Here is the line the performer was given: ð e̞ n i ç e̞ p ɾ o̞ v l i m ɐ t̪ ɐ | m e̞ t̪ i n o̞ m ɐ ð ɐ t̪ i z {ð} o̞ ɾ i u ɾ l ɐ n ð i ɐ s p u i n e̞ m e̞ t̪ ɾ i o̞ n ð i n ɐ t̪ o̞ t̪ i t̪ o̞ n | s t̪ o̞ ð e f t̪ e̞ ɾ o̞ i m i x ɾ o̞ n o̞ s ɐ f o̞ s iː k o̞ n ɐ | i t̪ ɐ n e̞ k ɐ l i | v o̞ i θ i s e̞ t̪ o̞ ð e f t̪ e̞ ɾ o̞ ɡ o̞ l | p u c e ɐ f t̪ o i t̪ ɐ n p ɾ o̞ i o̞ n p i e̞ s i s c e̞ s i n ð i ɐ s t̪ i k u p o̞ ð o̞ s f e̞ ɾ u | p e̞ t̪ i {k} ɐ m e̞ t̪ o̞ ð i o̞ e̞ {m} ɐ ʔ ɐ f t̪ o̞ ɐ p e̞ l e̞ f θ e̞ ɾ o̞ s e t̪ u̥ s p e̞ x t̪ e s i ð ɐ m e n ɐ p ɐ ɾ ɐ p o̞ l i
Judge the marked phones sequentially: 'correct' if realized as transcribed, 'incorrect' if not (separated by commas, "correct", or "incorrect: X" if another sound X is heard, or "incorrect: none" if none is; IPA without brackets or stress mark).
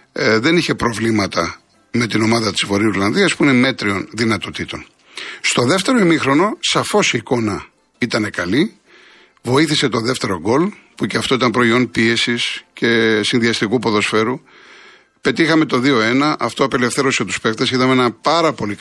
incorrect: v, incorrect: x, incorrect: n